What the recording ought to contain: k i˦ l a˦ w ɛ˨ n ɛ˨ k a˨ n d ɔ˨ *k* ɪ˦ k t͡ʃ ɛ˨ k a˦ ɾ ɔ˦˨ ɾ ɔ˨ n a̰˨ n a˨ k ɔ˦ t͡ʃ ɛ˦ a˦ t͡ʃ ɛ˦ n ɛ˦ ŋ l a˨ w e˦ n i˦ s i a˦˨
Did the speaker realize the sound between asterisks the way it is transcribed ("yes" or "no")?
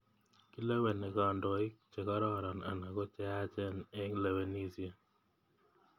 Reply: no